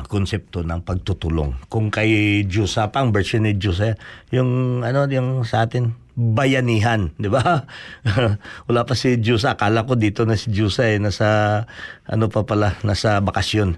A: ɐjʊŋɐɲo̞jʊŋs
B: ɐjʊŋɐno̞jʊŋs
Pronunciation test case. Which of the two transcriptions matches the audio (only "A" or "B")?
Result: B